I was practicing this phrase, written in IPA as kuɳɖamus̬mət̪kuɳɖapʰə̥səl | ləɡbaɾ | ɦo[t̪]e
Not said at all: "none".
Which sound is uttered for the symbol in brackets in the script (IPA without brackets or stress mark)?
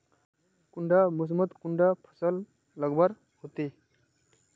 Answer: t̪